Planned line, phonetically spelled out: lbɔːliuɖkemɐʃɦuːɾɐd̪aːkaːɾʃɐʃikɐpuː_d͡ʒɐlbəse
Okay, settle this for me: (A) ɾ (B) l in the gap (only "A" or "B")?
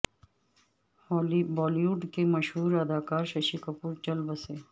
A